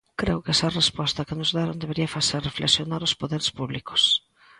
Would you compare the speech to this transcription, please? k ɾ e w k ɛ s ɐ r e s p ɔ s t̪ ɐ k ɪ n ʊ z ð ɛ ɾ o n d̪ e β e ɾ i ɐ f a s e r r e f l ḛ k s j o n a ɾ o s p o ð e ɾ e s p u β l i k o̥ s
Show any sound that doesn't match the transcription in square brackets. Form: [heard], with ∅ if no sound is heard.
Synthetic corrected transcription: k ɾ e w k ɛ s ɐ r e s p ɔ s t̪ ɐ k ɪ n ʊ z ð [a] ɾ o n d̪ e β e ɾ i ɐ f a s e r r e f l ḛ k s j o n a ɾ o s p o ð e ɾ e s p u β l i k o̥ s